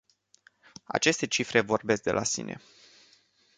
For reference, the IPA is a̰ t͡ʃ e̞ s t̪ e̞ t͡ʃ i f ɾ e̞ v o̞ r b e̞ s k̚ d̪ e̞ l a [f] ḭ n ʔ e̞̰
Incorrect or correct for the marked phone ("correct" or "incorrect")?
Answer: incorrect